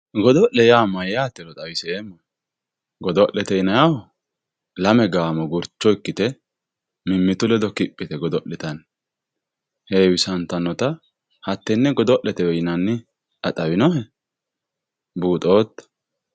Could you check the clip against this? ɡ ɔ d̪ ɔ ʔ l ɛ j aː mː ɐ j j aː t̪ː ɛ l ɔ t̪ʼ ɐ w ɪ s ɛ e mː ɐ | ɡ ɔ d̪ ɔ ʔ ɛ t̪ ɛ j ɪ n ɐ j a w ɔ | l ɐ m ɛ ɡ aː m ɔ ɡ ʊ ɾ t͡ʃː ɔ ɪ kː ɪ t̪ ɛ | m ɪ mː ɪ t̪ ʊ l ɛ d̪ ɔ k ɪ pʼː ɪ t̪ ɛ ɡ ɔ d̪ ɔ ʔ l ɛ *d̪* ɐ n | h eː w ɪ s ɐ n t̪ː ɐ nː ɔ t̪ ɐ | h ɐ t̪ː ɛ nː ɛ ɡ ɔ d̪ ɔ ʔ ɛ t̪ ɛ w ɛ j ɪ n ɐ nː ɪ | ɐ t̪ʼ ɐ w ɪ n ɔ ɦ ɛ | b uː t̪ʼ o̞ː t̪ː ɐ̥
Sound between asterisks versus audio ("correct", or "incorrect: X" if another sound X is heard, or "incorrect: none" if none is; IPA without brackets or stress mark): incorrect: t̪